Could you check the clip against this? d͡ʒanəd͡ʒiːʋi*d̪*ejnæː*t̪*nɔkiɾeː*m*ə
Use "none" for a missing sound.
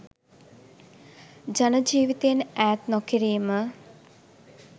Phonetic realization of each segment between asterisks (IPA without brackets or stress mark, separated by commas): t̪, t̪, m